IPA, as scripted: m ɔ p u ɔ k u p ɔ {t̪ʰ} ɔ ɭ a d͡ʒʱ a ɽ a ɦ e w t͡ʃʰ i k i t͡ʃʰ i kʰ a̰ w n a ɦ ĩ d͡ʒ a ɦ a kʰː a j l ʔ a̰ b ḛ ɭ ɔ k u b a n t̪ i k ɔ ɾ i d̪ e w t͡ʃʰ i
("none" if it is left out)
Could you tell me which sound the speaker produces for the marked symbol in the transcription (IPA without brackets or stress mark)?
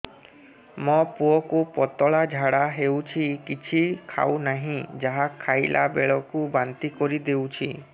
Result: t̪